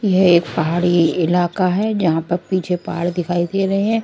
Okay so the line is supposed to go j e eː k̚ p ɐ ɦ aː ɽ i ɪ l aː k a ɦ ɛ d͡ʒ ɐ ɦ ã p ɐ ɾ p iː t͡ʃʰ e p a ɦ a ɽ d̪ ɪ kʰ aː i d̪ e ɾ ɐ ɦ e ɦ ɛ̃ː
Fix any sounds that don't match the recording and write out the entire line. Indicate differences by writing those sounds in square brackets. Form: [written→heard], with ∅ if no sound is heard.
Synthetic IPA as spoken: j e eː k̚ p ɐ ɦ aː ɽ i ɪ l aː k a ɦ ɛ d͡ʒ ɐ ɦ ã p ɐ ɾ p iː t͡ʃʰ e p a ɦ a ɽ d̪ ɪ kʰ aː i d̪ e ɾ ɐ ɦ e ɦ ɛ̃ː